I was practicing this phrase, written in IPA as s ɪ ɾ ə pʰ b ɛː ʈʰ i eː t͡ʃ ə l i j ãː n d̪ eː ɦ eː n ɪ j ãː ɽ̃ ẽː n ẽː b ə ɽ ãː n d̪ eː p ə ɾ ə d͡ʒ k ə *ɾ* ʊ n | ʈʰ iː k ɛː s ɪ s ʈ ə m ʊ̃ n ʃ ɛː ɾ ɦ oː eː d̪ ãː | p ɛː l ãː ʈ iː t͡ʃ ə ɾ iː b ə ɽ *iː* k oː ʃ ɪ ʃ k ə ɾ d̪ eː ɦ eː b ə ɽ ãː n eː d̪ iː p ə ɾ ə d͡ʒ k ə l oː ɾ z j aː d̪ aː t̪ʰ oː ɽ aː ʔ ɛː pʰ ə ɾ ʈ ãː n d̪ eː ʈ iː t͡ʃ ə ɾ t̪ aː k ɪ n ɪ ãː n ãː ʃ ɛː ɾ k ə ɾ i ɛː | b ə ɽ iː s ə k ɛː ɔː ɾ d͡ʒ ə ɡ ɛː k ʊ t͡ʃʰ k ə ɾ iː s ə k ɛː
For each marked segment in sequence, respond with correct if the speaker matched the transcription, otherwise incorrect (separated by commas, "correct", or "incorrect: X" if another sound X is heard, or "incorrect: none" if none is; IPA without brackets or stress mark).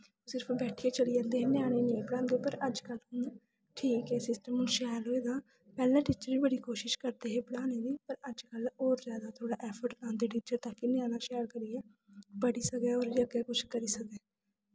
incorrect: l, correct